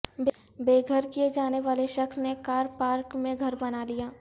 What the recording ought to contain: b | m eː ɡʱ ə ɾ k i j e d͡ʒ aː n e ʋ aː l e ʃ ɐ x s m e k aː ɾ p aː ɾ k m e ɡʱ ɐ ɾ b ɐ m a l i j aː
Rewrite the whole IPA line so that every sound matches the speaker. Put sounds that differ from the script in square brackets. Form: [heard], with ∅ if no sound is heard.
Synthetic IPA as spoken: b | [b] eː ɡʱ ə ɾ k i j e d͡ʒ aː n e ʋ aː l e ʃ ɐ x s [n] e k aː ɾ p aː ɾ k m [ẽ] ɡʱ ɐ ɾ b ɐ [n] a l i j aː